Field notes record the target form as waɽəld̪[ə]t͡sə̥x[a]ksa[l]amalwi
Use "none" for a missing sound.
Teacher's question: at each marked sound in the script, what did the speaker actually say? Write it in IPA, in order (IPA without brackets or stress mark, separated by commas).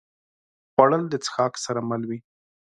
ə, ɑ, ɾ